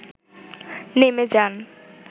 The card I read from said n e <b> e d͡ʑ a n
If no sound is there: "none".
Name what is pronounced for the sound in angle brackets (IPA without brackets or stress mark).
m